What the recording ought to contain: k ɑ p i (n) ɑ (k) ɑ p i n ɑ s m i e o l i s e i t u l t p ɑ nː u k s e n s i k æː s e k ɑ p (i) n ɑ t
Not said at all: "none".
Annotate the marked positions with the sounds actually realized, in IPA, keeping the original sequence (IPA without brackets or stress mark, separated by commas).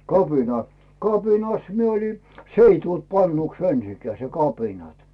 n, k, i